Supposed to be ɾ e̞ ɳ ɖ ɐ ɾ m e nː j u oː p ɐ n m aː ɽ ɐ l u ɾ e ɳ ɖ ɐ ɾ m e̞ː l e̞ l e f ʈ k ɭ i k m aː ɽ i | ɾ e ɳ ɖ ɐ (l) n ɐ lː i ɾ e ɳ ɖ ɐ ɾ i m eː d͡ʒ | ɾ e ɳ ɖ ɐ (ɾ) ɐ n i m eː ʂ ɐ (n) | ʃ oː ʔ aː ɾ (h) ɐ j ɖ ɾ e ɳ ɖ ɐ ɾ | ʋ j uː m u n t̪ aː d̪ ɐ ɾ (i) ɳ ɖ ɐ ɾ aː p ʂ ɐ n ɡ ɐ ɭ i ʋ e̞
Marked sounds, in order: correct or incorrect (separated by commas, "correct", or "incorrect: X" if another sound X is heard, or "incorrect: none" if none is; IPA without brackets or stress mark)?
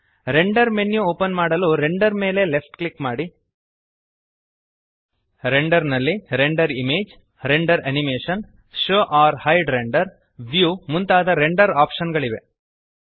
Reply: incorrect: ɾ, correct, correct, correct, incorrect: e